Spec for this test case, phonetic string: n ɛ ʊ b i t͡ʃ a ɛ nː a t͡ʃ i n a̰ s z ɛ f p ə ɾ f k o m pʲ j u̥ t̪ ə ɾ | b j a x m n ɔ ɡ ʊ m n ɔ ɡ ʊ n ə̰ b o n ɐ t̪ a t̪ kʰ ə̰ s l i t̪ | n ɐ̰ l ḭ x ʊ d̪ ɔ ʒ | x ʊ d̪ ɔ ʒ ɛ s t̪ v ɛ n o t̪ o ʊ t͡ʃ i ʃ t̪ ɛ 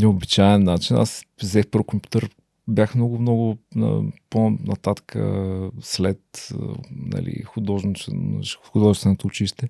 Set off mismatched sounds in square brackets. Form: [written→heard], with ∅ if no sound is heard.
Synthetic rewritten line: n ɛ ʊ b i t͡ʃ a ɛ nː a t͡ʃ i n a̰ s z ɛ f p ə ɾ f k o m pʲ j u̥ t̪ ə ɾ | b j a x m n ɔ ɡ ʊ m n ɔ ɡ ʊ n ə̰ [b→p] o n ɐ t̪ a t̪ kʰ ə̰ s l [i→ɛ] t̪ | n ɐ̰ l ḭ x ʊ d̪ ɔ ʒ | x ʊ d̪ ɔ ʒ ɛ s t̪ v ɛ n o t̪ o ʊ t͡ʃ i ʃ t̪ ɛ